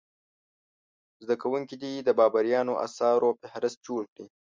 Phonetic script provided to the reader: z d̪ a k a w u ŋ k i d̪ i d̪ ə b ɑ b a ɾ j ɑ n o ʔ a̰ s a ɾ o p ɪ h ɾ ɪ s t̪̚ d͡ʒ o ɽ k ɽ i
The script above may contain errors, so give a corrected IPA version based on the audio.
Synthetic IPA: z d̪ a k a w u ŋ k i d̪ i d̪ ə b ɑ b a ɾ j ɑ n o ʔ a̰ s ɑ ɾ o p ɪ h ɾ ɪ s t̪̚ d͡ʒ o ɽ k ɽ i